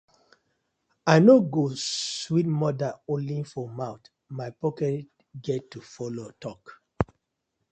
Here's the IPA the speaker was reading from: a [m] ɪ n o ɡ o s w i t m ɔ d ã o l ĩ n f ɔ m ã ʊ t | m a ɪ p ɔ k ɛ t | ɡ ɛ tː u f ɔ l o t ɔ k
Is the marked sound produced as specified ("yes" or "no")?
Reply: no